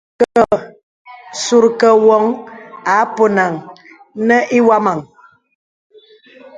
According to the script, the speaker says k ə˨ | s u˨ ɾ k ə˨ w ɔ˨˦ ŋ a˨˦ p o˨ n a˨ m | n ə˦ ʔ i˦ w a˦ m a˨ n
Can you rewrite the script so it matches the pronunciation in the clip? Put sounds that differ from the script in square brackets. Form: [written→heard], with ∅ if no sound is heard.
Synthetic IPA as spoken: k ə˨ | s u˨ ɾ k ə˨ w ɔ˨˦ ŋ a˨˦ p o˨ n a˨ [m→ŋ] | n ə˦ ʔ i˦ w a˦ m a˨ [n→ŋ]

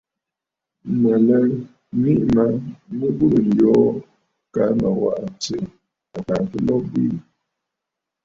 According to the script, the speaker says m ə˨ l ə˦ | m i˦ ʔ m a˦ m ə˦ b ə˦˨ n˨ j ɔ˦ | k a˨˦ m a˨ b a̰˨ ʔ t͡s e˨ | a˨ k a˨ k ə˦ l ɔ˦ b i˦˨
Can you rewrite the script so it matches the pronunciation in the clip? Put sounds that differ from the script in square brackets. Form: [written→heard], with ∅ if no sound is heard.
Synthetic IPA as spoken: m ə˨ l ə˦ | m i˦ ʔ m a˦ m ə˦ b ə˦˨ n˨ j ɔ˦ | k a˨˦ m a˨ [b→w] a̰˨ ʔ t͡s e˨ | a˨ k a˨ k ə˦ l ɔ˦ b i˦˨

